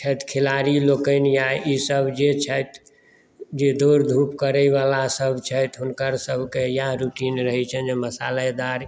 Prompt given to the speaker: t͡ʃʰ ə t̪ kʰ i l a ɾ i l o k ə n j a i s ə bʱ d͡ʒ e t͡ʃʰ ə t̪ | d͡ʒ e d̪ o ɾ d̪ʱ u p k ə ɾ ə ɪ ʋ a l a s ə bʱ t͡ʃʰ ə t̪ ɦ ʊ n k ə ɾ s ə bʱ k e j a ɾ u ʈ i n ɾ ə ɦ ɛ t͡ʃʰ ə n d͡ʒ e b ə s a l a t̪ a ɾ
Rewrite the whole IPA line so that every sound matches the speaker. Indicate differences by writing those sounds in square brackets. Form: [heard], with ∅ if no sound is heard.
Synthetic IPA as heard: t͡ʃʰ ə t̪ kʰ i l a ɾ i l o k ə n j a i s ə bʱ d͡ʒ e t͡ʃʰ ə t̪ | d͡ʒ e d̪ o ɾ d̪ʱ u p k ə ɾ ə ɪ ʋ a l a s ə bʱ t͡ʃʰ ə t̪ ɦ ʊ n k ə ɾ s ə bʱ k e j a ɾ u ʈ i n ɾ ə ɦ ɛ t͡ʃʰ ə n d͡ʒ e [m] ə s a l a [d̪] a ɾ